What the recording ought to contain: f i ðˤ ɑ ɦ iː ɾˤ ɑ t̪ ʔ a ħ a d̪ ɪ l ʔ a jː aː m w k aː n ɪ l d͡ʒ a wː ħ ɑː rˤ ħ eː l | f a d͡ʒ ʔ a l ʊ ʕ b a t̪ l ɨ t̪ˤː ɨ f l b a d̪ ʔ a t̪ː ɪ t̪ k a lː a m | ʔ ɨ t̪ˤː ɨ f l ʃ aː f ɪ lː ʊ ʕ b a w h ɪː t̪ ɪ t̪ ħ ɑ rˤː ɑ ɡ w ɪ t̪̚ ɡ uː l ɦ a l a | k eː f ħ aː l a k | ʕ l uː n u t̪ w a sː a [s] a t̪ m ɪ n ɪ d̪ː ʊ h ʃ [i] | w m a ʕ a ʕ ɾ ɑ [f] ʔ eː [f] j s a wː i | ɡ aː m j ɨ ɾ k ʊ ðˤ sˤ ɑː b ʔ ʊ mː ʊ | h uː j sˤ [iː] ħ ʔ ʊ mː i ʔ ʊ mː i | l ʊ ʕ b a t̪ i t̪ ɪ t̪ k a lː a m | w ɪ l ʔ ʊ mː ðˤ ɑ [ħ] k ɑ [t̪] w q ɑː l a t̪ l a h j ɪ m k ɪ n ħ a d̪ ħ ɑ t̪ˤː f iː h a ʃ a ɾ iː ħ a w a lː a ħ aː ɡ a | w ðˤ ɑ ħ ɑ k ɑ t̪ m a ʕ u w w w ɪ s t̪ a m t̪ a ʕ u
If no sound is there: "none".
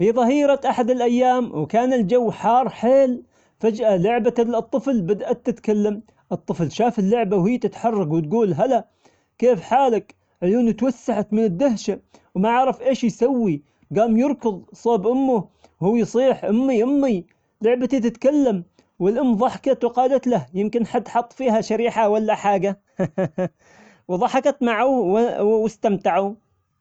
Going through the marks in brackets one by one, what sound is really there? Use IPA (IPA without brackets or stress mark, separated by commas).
ħ, a, f, ʃ, iː, ħ, t̪